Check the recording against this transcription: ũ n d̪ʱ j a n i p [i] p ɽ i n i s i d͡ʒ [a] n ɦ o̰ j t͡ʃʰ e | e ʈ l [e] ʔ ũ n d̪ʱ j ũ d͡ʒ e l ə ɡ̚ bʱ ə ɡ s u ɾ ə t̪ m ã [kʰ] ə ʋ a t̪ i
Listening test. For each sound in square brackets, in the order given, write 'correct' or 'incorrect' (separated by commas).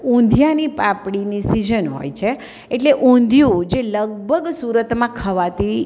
incorrect, incorrect, correct, correct